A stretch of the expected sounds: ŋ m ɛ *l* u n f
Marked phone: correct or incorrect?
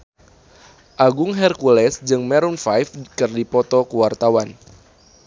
incorrect